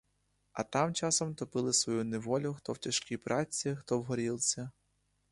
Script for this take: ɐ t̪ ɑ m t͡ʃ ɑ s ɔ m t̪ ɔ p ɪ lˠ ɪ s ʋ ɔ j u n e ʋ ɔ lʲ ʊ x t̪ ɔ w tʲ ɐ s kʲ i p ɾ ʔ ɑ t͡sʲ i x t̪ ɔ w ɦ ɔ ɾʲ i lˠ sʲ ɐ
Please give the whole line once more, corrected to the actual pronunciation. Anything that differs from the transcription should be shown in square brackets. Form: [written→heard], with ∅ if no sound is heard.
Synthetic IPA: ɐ t̪ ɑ m t͡ʃ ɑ s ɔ m t̪ ɔ p ɪ lˠ ɪ s ʋ ɔ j u n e ʋ ɔ lʲ ʊ x t̪ ɔ w tʲ ɐ [s→ʃ] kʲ i p ɾ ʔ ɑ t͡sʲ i x t̪ ɔ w ɦ ɔ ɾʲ i lˠ sʲ ɐ